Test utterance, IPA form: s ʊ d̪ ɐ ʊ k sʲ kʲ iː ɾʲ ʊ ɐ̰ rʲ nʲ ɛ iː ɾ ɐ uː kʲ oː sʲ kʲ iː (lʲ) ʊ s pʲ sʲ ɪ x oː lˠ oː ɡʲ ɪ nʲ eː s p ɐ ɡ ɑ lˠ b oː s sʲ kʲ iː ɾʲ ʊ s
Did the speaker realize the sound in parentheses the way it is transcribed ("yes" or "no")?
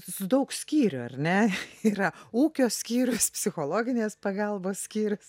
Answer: no